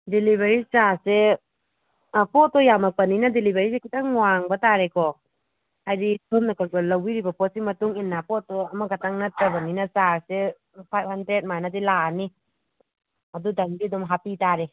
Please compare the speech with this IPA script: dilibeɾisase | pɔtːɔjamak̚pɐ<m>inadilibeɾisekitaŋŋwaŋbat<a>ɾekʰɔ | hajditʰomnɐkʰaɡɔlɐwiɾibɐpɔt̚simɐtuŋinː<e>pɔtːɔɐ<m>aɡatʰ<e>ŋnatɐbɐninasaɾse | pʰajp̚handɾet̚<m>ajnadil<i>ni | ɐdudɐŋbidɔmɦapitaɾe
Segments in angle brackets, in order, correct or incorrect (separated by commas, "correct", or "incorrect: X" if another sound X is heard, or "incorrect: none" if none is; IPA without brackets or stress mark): incorrect: n, correct, incorrect: a, correct, incorrect: a, correct, incorrect: a